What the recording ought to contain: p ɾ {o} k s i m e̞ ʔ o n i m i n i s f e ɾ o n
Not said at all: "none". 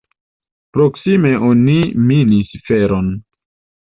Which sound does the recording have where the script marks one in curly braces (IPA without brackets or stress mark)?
o